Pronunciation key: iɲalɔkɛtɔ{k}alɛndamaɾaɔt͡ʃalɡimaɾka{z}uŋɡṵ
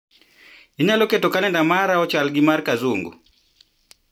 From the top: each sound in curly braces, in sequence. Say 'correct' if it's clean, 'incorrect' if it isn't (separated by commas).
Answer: correct, correct